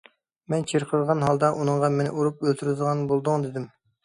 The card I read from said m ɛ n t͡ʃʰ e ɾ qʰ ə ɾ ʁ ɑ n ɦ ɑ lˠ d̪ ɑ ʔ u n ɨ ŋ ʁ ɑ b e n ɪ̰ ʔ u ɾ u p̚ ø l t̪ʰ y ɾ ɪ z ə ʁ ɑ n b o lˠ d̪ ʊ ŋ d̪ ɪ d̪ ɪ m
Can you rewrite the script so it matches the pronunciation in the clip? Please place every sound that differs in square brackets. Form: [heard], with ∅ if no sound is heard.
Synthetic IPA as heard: m ɛ n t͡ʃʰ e ɾ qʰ ə ɾ ʁ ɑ n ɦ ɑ lˠ d̪ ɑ ʔ u n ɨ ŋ ʁ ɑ [m] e n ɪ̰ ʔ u ɾ u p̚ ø l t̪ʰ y ɾ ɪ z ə ʁ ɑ n b o lˠ d̪ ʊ ŋ d̪ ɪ d̪ ɪ m